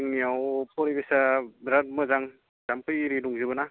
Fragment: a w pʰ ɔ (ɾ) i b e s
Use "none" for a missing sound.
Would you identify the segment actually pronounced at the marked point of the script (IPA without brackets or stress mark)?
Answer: ɾ